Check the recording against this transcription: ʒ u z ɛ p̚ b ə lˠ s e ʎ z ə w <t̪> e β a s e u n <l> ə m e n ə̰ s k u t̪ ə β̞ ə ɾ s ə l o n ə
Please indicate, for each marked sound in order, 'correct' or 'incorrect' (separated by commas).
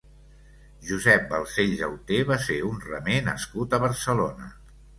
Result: correct, incorrect